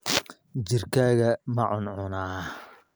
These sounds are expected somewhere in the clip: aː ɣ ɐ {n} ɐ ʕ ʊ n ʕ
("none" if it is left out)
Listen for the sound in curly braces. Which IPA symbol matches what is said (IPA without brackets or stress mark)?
m